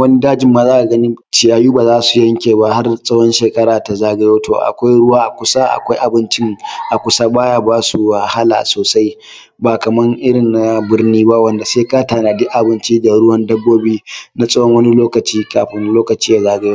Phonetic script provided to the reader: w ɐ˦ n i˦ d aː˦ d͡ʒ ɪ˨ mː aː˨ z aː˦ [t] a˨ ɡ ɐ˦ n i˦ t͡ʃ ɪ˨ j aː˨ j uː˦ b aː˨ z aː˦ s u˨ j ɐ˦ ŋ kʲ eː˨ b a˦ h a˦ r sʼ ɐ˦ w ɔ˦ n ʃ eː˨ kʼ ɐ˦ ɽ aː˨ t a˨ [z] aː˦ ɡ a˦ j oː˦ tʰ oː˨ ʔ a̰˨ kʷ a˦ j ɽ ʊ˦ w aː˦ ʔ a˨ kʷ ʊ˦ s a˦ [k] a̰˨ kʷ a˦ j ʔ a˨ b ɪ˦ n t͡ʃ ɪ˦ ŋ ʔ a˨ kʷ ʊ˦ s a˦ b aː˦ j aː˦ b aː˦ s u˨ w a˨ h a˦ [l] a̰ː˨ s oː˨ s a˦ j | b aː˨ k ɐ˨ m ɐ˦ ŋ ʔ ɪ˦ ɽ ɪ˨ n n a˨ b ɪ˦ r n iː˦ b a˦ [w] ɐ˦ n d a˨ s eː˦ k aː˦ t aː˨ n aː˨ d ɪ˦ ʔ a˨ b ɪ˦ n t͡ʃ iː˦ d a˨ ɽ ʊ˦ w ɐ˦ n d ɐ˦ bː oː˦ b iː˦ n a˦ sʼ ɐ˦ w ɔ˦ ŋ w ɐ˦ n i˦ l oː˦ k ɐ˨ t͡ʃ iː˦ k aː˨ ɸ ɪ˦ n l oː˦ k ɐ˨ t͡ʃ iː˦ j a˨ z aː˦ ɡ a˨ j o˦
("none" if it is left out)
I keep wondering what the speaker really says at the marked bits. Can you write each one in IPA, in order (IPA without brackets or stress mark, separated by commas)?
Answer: ʔ, z, ʔ, l, w